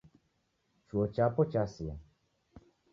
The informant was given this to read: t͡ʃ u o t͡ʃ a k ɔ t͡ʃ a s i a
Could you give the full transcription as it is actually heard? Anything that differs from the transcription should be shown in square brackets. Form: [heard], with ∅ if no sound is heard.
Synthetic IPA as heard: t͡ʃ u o t͡ʃ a [p] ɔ t͡ʃ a s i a